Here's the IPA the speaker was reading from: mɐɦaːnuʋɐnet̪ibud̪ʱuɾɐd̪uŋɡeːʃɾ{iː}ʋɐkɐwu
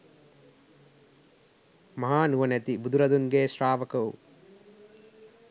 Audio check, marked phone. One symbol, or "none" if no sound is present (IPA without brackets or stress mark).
aː